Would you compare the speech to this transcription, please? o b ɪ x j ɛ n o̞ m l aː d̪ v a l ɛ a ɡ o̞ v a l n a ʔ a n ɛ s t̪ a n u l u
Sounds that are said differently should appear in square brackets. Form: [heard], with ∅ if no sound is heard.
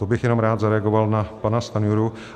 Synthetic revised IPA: o b ɪ x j ɛ n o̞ m [ɾ] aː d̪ [z] a [ɾ] ɛ a ɡ o̞ v a l n a [p] a n [a] s t̪ a n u [ɾ] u